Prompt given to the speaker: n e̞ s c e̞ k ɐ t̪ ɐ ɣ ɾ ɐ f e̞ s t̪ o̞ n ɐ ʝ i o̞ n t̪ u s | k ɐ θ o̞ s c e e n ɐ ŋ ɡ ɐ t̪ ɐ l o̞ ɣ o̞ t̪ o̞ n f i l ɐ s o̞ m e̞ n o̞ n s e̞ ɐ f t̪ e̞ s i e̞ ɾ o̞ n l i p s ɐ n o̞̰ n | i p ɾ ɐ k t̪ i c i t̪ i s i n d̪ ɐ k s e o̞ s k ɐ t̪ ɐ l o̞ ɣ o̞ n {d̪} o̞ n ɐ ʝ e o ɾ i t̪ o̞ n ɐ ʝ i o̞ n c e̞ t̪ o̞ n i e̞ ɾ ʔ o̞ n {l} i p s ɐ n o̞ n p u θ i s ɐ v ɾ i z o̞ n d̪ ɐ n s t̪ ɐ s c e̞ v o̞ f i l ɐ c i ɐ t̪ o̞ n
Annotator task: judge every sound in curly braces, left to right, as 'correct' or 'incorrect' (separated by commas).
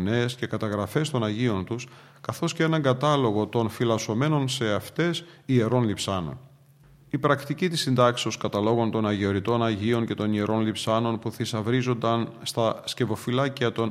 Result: incorrect, correct